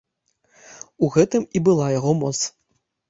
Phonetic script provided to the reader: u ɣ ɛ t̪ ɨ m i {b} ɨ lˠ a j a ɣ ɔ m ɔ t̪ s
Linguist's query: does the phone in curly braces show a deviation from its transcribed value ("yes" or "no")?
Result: no